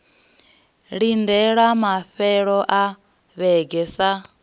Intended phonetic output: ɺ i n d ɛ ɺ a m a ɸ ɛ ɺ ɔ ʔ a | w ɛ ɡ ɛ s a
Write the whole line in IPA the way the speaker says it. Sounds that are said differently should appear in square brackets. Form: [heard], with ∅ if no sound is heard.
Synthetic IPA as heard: ɺ i n d ɛ ɺ a m a ɸ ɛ ɺ ɔ ʔ a | [β] ɛ ɡ ɛ s a

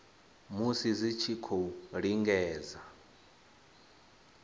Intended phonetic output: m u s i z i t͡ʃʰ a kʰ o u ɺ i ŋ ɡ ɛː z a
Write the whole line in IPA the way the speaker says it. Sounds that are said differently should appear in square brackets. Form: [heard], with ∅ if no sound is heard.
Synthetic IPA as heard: m u s i z i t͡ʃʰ [i] kʰ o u ɺ i ŋ ɡ ɛː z a

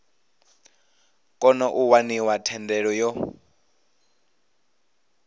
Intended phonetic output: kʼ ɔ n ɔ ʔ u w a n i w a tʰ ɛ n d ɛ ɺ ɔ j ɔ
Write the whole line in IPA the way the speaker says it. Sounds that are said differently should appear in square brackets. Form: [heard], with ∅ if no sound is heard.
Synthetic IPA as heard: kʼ ɔ n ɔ ʔ u w a n i w a tʰ ɛ n d ɛ ɺ ɔ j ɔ

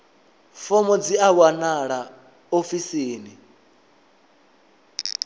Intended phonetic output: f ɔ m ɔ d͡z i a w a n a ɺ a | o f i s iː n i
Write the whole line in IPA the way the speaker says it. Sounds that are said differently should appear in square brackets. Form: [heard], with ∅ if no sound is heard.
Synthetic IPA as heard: f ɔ m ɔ d͡z i a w a n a ɺ a | o f i s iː n i

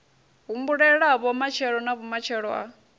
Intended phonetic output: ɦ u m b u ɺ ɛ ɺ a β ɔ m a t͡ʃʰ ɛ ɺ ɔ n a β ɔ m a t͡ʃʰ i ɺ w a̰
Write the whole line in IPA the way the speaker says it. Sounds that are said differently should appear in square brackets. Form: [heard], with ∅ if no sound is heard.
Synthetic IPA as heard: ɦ u m b u ɺ ɛ ɺ a β ɔ m a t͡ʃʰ ɛ ɺ ɔ n a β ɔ m a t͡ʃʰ [ɛ] ɺ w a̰

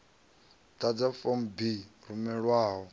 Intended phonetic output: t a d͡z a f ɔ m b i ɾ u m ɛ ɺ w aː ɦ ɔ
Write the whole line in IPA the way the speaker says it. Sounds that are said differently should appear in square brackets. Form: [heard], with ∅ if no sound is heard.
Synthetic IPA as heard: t a d͡z a f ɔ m b i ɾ u m ɛ ɺ w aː ɦ ɔ

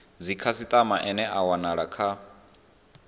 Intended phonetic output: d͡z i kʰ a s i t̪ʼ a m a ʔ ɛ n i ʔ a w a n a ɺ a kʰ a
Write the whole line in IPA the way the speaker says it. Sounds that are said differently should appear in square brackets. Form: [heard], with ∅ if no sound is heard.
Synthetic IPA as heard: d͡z i kʰ a s i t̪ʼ a m a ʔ ɛ n [ɛ] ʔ a w a n a ɺ a kʰ a

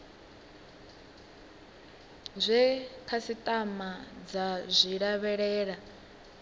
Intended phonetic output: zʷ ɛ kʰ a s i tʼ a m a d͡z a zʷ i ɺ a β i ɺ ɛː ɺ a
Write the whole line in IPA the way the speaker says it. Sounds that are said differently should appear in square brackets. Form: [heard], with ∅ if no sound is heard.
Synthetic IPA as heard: zʷ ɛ kʰ a s i tʼ a m a d͡z a zʷ i ɺ a β [ɛ] ɺ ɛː ɺ a

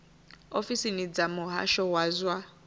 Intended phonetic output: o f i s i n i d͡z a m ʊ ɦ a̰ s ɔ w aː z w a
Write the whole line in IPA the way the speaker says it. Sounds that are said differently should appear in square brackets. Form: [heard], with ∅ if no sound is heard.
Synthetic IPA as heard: o f i s i n i d͡z a m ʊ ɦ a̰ [ʃ] ɔ w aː z w a

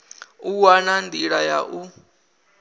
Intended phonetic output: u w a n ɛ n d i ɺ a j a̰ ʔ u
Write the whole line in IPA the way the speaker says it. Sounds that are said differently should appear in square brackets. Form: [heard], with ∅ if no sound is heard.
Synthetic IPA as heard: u w a n [a] n d i ɺ a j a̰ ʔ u

